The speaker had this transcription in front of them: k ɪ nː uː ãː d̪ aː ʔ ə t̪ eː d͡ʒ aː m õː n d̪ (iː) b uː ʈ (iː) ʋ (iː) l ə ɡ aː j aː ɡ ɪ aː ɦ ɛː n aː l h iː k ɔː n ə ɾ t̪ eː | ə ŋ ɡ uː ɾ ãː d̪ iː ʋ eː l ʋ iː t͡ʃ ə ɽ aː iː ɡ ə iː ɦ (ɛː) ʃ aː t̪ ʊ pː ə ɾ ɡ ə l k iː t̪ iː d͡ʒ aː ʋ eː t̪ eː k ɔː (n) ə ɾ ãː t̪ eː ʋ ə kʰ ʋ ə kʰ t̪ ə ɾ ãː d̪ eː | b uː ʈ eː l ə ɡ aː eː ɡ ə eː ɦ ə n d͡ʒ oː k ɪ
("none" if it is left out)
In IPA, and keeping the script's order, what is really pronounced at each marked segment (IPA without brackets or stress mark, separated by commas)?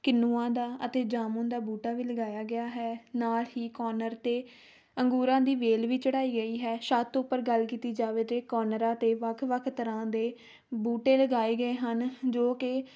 aː, aː, iː, ɛː, n